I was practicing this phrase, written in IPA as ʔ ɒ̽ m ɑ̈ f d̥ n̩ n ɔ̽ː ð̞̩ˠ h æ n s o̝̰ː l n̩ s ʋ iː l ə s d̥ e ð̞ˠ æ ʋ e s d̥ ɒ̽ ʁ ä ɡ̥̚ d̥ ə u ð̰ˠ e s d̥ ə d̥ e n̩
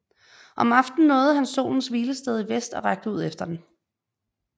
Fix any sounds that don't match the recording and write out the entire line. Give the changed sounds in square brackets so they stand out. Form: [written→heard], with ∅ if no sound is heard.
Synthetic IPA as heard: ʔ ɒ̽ m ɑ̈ f d̥ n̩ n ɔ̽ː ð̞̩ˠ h æ n s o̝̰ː l n̩ s ʋ iː l ə s d̥ e ð̞ˠ [æ→i] ʋ e s d̥ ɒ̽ ʁ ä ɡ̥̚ d̥ ə u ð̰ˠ e [s→f] d̥ [ə→ɐ] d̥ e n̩

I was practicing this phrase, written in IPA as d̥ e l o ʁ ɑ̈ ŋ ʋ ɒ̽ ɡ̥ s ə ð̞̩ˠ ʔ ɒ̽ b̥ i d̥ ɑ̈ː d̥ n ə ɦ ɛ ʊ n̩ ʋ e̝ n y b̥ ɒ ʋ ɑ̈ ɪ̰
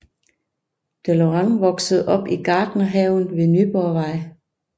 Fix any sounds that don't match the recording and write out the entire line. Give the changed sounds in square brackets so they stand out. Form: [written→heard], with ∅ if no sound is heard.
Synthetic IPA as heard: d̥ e l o ʁ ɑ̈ ŋ ʋ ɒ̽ ɡ̥ s ə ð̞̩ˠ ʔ ɒ̽ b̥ i [d̥→ɡ̥] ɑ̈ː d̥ n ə ɦ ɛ ʊ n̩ ʋ e̝ n y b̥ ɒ ʋ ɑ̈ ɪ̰

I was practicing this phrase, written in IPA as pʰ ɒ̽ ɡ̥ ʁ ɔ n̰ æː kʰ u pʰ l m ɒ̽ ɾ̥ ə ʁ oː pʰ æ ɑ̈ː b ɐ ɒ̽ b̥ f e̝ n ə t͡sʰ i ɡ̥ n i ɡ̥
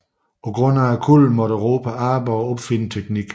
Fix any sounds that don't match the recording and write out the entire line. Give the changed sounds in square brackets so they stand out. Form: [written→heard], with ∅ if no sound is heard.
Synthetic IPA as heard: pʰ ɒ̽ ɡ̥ ʁ ɔ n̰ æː kʰ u [pʰ→∅] l m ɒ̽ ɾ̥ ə ʁ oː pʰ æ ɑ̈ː b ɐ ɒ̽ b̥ f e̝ n ə t͡sʰ [i→e] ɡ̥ n i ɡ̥

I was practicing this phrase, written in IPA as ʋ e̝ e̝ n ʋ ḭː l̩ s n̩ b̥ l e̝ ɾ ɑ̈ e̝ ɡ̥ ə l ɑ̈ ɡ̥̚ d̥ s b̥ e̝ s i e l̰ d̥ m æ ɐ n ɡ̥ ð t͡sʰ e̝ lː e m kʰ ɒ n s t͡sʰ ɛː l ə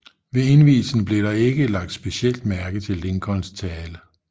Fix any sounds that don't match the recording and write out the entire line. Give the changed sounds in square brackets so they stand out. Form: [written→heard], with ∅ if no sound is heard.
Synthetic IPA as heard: ʋ e̝ e̝ n ʋ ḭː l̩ s n̩ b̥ l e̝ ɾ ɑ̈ e̝ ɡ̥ ə l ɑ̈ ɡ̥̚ d̥ s b̥ e̝ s i e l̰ d̥ m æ ɐ [n→∅] ɡ̥ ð t͡sʰ e̝ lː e [m→ŋ] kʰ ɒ n s t͡sʰ ɛː l ə

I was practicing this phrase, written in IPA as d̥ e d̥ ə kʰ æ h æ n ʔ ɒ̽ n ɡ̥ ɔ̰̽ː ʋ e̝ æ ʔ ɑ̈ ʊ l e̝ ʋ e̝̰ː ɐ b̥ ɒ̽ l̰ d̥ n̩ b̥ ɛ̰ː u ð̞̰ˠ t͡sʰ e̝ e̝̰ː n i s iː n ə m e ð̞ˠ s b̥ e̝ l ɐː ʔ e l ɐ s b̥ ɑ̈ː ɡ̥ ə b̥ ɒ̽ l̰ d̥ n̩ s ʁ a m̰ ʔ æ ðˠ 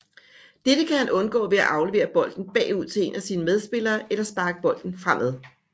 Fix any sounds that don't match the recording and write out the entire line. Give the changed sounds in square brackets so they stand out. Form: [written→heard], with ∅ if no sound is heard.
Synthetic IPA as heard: d̥ e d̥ ə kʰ æ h æ n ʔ [ɒ̽→ɔ̽] n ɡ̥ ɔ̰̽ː ʋ e̝ æ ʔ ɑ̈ ʊ l e̝ ʋ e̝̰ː ɐ b̥ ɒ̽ l̰ d̥ n̩ b̥ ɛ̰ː u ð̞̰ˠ t͡sʰ e̝ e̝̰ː n [i→æ] s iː n ə m e ð̞ˠ s b̥ e̝ l ɐː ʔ e l ɐ s b̥ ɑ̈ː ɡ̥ ə b̥ ɒ̽ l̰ d̥ n̩ [s→f] ʁ a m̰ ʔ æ ðˠ

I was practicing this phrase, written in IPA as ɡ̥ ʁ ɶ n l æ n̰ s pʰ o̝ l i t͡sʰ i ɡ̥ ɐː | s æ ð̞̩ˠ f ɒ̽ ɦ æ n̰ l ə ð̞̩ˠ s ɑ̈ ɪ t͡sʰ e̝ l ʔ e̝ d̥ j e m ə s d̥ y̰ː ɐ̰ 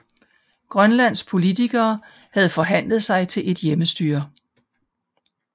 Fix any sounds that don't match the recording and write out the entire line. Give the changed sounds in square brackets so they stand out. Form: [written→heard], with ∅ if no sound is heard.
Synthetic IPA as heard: ɡ̥ ʁ ɶ n l æ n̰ s pʰ o̝ l i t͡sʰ i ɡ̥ ɐː | [s→h] æ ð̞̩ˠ f ɒ̽ ɦ æ n̰ l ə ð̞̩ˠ s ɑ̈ ɪ t͡sʰ e̝ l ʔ e̝ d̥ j e m ə s d̥ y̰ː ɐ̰

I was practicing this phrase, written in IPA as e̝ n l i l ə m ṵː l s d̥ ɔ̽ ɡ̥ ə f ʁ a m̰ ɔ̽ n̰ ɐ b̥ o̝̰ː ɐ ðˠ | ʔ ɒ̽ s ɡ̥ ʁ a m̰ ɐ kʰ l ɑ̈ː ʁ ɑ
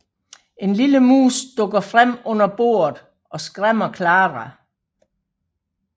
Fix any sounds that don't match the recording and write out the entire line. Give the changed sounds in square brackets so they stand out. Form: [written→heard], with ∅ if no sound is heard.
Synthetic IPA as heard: e̝ n l i l ə m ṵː [l→∅] s d̥ ɔ̽ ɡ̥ [ə→ɐ] f ʁ a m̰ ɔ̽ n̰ ɐ b̥ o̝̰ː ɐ ðˠ | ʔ ɒ̽ s ɡ̥ ʁ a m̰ ɐ kʰ l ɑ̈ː ʁ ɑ

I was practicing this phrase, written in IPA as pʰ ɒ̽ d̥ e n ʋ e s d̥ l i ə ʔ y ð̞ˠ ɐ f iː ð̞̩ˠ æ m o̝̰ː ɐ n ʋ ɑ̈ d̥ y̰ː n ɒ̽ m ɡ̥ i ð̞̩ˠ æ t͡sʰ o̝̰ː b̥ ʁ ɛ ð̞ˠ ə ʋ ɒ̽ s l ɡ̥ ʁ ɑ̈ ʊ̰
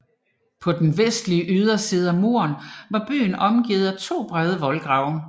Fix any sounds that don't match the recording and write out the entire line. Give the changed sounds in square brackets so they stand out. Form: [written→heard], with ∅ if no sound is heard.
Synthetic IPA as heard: pʰ ɒ̽ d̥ e n ʋ e s d̥ l i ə ʔ y ð̞ˠ ɐ [f→s] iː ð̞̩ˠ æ m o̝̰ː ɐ n ʋ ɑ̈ [d̥→b̥] y̰ː n ɒ̽ m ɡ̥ i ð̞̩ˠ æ t͡sʰ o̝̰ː b̥ ʁ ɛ ð̞ˠ ə ʋ ɒ̽ [s→∅] l ɡ̥ ʁ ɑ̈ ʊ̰

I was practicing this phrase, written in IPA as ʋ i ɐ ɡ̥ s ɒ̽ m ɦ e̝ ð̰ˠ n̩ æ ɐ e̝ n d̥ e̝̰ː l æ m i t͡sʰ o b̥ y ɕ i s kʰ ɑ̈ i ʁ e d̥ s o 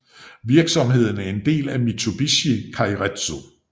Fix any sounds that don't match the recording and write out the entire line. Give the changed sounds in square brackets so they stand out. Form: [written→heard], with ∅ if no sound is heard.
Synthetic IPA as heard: ʋ i ɐ ɡ̥ s ɒ̽ m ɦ e̝ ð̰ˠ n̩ æ ɐ e̝ n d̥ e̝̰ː l æ m i t͡sʰ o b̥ [y→i] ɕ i [s→∅] kʰ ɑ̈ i ʁ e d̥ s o

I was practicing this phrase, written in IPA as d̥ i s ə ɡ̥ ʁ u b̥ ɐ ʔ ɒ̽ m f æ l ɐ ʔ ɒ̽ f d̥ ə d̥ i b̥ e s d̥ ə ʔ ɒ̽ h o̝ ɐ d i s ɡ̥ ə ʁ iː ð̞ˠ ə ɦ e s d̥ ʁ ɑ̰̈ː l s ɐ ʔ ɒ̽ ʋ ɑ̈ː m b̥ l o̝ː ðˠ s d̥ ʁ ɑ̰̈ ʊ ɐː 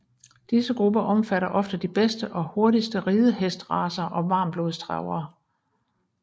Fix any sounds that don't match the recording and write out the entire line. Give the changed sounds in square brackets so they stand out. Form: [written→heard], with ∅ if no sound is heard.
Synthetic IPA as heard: d̥ i s ə ɡ̥ ʁ u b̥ ɐ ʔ ɒ̽ m f æ [l→ɾ] ɐ ʔ ɒ̽ f d̥ ə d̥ i b̥ e s d̥ ə ʔ ɒ̽ h o̝ ɐ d i s [ɡ̥→d̥] ə ʁ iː ð̞ˠ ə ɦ e s d̥ ʁ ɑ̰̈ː [l→∅] s ɐ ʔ ɒ̽ ʋ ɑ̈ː m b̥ l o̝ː ðˠ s d̥ ʁ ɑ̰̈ ʊ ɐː

